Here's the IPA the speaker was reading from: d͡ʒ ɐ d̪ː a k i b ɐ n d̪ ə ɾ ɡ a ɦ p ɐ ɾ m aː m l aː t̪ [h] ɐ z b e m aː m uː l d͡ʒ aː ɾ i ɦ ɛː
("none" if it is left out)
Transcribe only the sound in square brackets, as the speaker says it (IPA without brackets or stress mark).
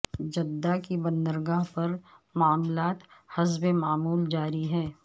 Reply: h